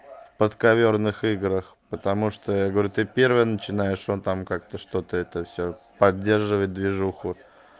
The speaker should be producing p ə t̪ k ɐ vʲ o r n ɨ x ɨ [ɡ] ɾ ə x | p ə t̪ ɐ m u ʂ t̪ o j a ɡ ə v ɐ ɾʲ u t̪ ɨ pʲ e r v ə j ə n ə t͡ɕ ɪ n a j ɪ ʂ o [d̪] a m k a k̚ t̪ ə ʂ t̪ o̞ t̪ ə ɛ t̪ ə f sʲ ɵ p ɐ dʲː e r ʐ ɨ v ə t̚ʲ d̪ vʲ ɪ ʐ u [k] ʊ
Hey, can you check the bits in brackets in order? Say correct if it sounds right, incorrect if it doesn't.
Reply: correct, incorrect: t̪, incorrect: x

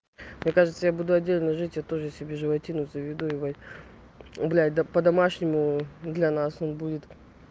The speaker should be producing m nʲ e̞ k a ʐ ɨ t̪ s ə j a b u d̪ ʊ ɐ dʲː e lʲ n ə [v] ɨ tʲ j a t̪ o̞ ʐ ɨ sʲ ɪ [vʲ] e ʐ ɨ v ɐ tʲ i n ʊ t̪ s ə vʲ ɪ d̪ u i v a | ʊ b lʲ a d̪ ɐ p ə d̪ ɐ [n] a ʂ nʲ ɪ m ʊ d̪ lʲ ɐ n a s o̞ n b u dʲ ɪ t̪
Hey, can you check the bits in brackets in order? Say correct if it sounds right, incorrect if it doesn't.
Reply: incorrect: ʐ, incorrect: bʲ, incorrect: m

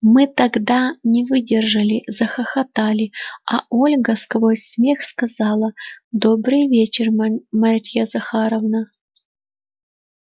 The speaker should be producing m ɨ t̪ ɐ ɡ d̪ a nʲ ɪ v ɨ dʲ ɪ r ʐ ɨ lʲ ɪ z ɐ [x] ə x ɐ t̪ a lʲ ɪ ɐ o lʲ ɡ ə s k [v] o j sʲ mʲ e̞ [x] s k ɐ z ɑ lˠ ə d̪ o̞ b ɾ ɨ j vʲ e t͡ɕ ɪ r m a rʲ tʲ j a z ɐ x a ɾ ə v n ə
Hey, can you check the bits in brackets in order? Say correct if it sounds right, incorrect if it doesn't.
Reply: correct, correct, correct

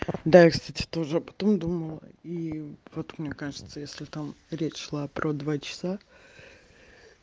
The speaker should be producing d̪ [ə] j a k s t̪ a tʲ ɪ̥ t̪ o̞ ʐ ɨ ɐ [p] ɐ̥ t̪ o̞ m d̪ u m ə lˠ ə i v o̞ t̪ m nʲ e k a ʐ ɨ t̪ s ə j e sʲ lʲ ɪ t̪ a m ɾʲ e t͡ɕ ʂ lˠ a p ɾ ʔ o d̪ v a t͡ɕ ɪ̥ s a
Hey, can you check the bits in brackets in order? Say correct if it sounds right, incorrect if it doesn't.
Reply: incorrect: a, correct

